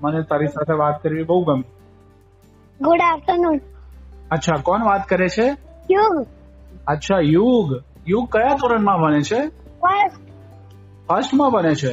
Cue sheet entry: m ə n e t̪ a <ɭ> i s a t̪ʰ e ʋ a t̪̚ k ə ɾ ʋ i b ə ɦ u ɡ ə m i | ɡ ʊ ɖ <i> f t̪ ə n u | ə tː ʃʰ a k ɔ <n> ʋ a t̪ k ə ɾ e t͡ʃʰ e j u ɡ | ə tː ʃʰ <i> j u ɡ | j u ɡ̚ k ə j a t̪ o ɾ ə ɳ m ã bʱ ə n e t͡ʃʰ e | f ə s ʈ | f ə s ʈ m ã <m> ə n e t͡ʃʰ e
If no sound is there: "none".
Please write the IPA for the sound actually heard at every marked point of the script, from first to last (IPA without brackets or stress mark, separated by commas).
ɾ, a, n, a, b